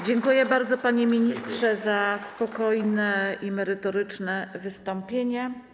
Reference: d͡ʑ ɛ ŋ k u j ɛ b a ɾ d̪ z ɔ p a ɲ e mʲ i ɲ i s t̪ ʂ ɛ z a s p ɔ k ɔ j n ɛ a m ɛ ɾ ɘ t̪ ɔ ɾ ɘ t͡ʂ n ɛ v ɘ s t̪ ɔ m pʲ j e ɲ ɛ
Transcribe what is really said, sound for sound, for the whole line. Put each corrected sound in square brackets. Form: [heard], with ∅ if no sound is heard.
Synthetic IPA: d͡ʑ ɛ ŋ k u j ɛ b a ɾ d̪ z ɔ p a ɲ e mʲ i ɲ i s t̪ ʂ ɛ z a s p ɔ k ɔ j n ɛ [i] m ɛ ɾ ɘ t̪ ɔ ɾ ɘ t͡ʂ n ɛ v ɘ s t̪ ɔ m pʲ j e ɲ ɛ